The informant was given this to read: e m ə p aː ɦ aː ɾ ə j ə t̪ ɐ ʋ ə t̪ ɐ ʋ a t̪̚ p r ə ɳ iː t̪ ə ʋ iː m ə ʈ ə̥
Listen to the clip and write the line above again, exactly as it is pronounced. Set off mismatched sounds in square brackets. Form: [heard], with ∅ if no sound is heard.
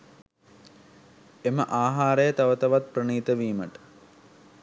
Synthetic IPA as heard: e m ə [ʔ] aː ɦ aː ɾ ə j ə t̪ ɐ ʋ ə t̪ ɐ ʋ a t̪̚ p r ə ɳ iː t̪ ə ʋ iː m ə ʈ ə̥